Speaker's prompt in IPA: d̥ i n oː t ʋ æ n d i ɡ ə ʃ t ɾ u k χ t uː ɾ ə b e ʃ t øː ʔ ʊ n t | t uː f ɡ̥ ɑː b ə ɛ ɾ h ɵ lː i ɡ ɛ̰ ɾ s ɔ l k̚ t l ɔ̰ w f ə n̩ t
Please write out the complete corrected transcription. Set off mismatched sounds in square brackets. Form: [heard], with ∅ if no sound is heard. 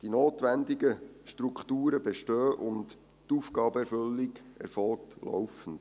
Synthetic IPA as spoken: d̥ i n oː t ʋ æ n d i ɡ ə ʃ t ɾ u k χ t uː ɾ ə b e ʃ t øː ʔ ʊ n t | t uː f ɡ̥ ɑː b ə ɛ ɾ [f] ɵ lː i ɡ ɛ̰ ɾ [f] ɔ l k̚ t l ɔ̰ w f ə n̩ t

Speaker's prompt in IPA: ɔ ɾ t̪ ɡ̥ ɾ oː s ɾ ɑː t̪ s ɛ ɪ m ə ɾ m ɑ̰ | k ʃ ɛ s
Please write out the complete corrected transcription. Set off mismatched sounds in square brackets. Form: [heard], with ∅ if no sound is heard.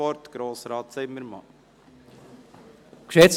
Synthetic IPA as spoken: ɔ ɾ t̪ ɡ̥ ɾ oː s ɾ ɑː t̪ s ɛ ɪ m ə ɾ m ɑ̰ | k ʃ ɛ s

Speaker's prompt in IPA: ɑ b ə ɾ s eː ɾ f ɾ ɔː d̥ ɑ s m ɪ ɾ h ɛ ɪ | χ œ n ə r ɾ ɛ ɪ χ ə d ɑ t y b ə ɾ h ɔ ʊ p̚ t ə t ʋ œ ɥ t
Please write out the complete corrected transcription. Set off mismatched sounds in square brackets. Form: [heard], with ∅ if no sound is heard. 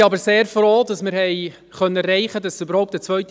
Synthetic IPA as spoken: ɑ b ə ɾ s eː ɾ f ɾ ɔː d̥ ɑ s m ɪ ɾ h ɛ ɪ | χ œ n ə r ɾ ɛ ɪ χ ə d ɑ [s] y b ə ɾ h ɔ ʊ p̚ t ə [t͡s] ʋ œ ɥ t

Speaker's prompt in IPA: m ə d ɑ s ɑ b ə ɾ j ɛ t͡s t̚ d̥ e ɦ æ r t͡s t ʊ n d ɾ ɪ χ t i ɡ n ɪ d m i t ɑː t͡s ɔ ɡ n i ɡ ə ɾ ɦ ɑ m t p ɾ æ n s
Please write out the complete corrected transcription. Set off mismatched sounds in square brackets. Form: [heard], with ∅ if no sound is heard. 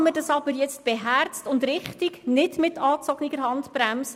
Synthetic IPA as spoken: m ə d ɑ s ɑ b ə ɾ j ɛ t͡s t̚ [b̥] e ɦ æ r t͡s t ʊ n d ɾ ɪ χ t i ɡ n ɪ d m [ɪ] t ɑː t͡s ɔ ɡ n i ɡ ə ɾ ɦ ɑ [n] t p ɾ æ [m] s

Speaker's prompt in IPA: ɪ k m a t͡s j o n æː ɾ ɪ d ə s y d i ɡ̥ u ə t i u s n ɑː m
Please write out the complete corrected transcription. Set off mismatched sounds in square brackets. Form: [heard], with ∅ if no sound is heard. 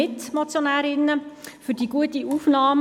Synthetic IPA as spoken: ɪ [t] m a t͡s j o n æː ɾ ɪ [n] ə [f] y d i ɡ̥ u ə t i u [f] n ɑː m

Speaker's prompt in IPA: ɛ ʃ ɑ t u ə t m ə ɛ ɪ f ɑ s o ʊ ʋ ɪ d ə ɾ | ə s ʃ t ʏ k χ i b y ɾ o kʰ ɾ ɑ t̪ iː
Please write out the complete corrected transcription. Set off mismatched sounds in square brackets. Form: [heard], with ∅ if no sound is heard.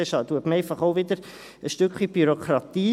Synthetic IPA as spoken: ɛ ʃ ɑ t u ə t m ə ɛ ɪ f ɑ [χ] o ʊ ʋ ɪ d ə ɾ | ə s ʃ t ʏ k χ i b y ɾ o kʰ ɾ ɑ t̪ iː

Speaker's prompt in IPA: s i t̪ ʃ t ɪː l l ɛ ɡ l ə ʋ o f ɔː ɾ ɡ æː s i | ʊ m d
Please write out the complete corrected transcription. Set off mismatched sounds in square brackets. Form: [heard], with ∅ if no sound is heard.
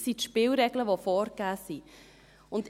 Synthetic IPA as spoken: s i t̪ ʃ [p] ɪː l [ɾ] ɛ ɡ l ə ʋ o f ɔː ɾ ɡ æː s i | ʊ [n] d

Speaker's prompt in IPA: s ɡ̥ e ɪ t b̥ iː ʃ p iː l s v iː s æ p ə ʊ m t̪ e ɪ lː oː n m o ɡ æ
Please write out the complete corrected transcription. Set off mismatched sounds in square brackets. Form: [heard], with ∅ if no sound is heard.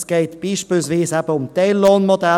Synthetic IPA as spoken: s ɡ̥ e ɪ t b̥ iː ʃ p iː l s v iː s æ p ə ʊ m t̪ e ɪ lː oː n m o [d] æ

